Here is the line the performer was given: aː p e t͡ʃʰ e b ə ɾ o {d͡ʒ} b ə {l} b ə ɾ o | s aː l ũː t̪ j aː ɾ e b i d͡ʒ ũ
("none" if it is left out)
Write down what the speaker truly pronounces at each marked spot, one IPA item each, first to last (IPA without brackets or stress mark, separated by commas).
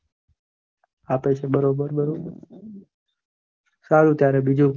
none, ɾ